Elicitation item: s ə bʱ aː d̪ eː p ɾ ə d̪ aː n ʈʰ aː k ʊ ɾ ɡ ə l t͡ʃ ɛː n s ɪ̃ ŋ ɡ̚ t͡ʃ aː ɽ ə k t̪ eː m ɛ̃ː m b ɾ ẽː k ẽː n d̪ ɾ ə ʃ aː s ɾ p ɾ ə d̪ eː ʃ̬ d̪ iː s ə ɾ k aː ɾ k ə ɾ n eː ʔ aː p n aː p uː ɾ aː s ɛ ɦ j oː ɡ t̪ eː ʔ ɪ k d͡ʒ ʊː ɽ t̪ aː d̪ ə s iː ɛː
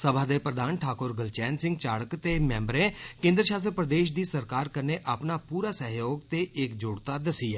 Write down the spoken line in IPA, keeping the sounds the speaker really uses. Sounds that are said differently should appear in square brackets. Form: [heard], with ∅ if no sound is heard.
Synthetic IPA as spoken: s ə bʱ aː d̪ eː p ɾ ə d̪ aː n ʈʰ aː k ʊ ɾ ɡ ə l t͡ʃ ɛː n s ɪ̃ ŋ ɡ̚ t͡ʃ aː ɽ ə k t̪ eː m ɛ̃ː m b ɾ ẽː k ẽː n d̪ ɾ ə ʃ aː s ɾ p ɾ ə d̪ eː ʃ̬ d̪ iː s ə ɾ k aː ɾ k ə ɾ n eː ʔ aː p n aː p uː ɾ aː s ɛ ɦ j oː ɡ t̪ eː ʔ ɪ k d͡ʒ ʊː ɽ t̪ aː d̪ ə s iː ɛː